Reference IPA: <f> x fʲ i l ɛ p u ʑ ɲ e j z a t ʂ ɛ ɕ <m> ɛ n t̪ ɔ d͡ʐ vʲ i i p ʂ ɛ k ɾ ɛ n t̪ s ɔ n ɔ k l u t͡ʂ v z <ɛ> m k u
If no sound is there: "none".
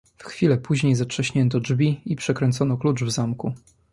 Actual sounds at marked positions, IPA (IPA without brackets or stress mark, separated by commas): f, ɲ, a